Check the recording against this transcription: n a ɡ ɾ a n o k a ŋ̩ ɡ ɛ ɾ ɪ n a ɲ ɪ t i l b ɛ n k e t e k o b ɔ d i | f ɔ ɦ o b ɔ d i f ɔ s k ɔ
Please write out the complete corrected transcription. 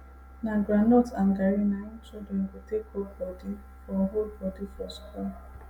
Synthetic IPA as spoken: n a ɡ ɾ a n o t a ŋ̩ ɡ a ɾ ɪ n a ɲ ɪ t͡ʃ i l d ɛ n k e t e k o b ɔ d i | f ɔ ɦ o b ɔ d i f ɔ s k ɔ